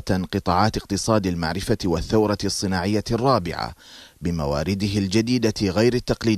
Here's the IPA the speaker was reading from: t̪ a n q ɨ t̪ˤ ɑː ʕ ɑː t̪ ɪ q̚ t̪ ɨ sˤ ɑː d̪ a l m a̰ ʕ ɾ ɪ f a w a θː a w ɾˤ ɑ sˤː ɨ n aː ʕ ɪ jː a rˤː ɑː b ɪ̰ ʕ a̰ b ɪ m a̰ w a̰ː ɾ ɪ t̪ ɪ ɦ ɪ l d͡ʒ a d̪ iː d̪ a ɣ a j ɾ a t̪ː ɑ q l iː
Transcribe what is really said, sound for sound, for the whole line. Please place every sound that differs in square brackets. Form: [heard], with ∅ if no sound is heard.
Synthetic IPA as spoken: t̪ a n q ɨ t̪ˤ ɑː ʕ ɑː t̪ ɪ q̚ t̪ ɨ sˤ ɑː d̪ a l m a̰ ʕ ɾ ɪ f a w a θː a w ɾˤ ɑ sˤː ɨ n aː ʕ ɪ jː a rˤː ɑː b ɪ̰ ʕ a̰ b ɪ m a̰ w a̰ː ɾ ɪ [d̪] ɪ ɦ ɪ l d͡ʒ a d̪ iː d̪ a ɣ a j ɾ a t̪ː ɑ q l iː